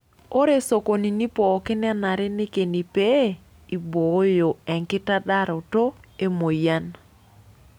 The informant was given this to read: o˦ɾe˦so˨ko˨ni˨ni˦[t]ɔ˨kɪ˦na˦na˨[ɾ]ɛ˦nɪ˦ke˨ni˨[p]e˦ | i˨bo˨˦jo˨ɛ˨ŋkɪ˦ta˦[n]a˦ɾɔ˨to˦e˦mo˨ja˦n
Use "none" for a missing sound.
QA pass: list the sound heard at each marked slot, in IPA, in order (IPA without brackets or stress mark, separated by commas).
p, ɾ, p, d